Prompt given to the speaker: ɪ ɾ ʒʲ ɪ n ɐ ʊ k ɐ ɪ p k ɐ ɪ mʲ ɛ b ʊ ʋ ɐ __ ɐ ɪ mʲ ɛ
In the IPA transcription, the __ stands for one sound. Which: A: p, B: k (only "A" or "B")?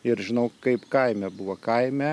B